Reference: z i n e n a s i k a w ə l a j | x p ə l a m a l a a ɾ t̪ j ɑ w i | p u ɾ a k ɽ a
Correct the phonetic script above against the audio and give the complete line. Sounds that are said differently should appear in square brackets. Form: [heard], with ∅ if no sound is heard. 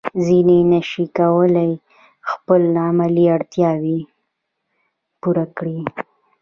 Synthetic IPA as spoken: z i n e n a [ʃ] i k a w ə l a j | x p ə l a m a l [i] a [ɽ] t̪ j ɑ w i | p u ɾ a k ɽ [i]